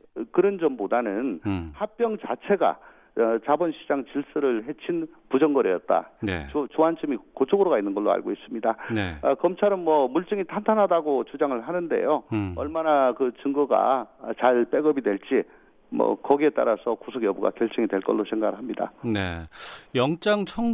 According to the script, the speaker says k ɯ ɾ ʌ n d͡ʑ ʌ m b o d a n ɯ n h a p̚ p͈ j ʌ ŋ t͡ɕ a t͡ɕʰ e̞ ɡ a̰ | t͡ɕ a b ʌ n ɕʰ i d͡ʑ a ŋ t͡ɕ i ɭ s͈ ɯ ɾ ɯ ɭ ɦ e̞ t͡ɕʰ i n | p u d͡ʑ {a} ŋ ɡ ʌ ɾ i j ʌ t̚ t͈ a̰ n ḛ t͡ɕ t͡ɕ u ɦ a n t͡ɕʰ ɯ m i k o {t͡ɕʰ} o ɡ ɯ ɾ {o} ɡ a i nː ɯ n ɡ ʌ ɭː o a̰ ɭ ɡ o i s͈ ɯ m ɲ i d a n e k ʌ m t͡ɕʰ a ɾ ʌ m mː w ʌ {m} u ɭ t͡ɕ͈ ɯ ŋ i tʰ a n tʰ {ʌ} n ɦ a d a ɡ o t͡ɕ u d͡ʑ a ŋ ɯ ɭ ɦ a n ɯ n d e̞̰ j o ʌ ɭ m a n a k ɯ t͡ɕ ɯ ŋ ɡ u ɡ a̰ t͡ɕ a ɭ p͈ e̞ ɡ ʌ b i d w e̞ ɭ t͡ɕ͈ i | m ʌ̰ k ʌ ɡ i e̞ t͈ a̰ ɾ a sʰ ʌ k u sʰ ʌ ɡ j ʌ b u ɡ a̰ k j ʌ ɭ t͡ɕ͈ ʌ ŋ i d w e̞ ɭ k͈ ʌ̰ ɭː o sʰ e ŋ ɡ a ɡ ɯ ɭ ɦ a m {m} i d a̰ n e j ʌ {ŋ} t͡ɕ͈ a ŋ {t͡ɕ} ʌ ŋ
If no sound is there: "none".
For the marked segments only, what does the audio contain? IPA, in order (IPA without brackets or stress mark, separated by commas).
ʌ, t͡ɕʰ, o, m, a, ɲ, ŋ, t͡ɕʰ